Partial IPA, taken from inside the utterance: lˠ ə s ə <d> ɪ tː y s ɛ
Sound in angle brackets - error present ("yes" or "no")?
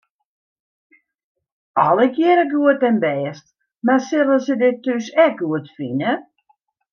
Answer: no